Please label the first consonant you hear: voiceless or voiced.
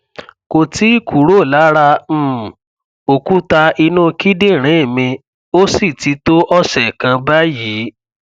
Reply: voiceless